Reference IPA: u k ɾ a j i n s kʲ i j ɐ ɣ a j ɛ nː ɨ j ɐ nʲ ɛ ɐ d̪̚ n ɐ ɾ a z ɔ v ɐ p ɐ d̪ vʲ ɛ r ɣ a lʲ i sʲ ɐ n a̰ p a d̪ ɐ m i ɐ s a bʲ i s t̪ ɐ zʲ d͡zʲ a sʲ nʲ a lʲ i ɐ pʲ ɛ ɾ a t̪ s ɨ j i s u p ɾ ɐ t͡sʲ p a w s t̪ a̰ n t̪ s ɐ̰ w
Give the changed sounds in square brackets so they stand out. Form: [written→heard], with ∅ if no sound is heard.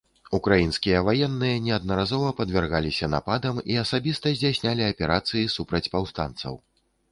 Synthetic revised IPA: u k ɾ a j i n s kʲ i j ɐ [ɣ→v] a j ɛ nː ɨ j ɐ nʲ ɛ ɐ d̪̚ n ɐ ɾ a z ɔ v ɐ p ɐ d̪ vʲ ɛ r ɣ a lʲ i sʲ ɐ n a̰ p a d̪ ɐ m i ɐ s a bʲ i s t̪ ɐ zʲ d͡zʲ a sʲ nʲ a lʲ i ɐ pʲ ɛ ɾ a t̪ s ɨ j i s u p ɾ ɐ t͡sʲ p a w s t̪ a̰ n t̪ s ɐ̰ w